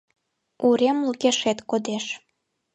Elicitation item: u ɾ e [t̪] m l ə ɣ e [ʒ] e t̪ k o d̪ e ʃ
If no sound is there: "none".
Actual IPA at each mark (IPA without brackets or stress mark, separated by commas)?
none, ʃ